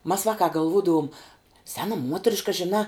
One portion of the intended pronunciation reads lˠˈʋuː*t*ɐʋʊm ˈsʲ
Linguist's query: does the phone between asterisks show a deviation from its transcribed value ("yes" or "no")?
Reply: yes